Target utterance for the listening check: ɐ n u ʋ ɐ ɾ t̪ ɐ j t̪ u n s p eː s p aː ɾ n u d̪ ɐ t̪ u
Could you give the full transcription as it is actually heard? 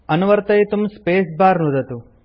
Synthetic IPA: ɐ n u ʋ ɐ ɾ t̪ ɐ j t̪ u m s p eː s b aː ɾ n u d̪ ɐ t̪ u